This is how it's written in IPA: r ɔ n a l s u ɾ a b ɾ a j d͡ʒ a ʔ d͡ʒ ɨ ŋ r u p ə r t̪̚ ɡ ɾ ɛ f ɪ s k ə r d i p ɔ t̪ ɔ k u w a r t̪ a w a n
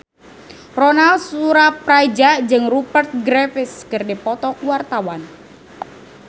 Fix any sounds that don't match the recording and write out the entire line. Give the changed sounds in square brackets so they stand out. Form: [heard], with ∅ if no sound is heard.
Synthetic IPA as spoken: r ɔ n a l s u ɾ a [p] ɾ a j d͡ʒ a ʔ d͡ʒ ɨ ŋ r u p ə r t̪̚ ɡ ɾ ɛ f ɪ s k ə r d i p ɔ t̪ ɔ k u w a r t̪ a w a n